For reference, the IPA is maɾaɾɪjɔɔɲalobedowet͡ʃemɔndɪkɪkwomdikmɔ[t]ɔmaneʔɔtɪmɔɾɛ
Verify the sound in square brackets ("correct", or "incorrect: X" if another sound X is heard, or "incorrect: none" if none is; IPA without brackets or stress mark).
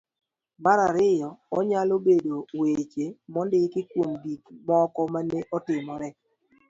incorrect: k